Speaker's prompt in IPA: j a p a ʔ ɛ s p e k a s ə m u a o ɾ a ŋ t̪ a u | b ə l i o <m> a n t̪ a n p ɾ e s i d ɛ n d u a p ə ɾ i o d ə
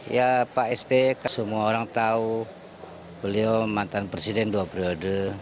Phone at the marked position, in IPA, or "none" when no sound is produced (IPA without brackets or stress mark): m